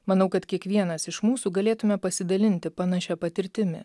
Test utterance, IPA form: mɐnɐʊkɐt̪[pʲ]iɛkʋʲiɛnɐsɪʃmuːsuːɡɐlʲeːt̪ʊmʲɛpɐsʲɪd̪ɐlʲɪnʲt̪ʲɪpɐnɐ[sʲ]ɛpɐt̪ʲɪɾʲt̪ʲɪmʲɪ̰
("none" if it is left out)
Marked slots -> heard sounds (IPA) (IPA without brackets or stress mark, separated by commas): kʲ, ʃʲ